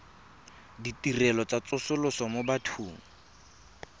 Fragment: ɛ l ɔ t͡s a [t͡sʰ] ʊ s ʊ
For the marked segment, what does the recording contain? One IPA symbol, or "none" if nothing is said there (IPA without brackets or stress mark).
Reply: t͡s